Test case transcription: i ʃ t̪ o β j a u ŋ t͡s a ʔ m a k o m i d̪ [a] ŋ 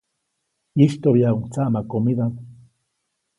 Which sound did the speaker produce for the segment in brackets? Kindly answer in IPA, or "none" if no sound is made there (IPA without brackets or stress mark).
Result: a